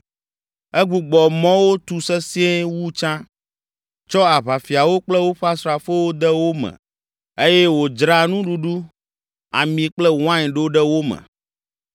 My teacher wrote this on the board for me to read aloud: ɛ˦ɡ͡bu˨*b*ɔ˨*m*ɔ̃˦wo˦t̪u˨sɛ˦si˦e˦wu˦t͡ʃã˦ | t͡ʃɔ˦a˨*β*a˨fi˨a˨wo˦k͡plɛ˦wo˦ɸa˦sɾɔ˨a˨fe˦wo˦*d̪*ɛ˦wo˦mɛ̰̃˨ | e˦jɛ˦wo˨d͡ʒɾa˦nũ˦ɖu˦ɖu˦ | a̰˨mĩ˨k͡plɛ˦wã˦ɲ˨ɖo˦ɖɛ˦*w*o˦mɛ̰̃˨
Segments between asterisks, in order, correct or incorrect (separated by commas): incorrect, correct, correct, correct, correct